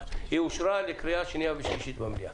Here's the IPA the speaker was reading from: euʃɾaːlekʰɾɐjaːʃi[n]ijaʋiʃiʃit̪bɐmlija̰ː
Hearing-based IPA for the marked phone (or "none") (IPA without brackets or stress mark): n